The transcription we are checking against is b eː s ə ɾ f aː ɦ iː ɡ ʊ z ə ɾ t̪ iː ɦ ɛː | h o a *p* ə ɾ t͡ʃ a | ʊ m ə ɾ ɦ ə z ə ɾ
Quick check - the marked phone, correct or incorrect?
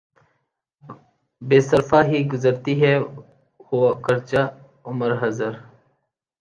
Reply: incorrect